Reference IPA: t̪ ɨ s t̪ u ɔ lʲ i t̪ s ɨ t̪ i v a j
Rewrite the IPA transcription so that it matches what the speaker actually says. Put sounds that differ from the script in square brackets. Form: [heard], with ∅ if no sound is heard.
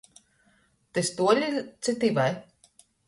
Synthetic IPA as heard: t̪ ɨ s t̪ u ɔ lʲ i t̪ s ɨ t̪ i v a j

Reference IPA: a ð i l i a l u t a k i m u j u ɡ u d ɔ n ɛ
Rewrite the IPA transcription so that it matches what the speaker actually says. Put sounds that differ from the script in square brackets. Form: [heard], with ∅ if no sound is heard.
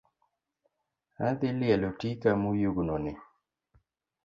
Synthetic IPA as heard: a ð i l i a l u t [i] k [a] m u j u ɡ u [n] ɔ n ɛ

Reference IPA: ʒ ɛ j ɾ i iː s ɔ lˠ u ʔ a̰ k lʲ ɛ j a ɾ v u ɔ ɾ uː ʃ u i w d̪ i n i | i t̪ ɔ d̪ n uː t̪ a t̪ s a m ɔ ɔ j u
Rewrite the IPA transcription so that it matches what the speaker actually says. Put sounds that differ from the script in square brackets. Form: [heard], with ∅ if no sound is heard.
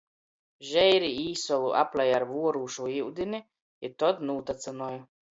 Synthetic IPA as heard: ʒ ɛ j ɾ i iː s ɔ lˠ u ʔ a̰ [p] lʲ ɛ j a ɾ v u ɔ ɾ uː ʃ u i w d̪ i n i | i t̪ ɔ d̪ n uː t̪ a t̪ s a [n] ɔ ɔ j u

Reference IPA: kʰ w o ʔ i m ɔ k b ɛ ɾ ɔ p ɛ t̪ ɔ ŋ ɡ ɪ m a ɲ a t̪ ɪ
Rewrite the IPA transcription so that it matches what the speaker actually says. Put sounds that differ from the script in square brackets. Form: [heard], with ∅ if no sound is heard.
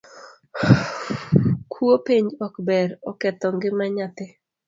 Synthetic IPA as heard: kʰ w o [p] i [ɲ] ɔ k b ɛ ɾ ɔ [k] ɛ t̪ ɔ ŋ ɡ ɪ m a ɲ a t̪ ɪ

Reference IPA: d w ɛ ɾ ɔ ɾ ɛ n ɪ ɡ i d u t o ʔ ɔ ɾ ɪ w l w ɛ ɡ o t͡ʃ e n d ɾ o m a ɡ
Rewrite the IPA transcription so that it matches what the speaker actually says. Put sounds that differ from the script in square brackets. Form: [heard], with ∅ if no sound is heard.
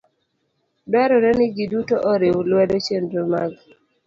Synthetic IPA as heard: d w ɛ ɾ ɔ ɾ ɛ n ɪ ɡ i d u t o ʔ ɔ ɾ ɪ w l w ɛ [d] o t͡ʃ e n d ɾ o m a ɡ

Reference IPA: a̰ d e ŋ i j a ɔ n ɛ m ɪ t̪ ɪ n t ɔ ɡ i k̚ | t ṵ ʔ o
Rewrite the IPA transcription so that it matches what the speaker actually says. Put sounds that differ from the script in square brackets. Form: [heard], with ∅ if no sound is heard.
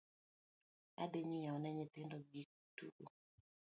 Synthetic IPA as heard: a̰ d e [ɲ] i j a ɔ n ɛ [ɲ] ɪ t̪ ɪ n [d] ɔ ɡ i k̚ | t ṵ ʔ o

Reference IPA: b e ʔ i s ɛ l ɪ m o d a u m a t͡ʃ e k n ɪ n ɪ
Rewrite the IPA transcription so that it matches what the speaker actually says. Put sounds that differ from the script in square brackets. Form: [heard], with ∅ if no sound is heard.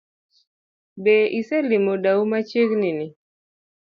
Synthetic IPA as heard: b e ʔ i s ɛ l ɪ m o d a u m a t͡ʃ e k n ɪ n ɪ

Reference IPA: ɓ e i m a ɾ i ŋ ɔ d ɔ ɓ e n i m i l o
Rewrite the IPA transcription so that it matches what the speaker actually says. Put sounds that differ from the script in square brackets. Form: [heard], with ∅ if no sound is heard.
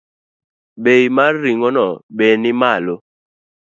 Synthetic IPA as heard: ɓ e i m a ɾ i ŋ ɔ [n] ɔ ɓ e n i m [a] l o

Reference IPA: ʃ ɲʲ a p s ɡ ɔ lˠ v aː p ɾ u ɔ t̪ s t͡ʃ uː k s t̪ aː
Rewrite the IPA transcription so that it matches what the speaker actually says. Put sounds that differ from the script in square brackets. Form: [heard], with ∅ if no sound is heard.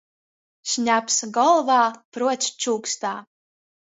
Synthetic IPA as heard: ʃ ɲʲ a p s ɡ ɔ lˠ v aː p ɾ u ɔ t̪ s t͡ʃ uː k s t̪ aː

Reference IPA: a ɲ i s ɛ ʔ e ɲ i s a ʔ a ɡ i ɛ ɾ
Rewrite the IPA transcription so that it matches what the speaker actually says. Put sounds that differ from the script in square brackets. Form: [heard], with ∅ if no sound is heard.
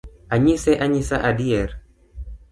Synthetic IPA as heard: a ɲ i s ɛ ʔ [a] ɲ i s a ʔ a [d] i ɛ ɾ

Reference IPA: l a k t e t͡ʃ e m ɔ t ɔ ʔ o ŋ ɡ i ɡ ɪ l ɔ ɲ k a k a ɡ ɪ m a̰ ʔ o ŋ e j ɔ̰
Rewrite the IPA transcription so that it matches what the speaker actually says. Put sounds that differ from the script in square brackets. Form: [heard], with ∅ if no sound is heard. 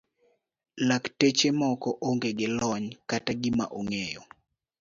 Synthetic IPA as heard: l a k t e t͡ʃ e m ɔ [k] ɔ ʔ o ŋ ɡ [e] ɡ ɪ l ɔ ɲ k a [t] a ɡ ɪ m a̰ ʔ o ŋ e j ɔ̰

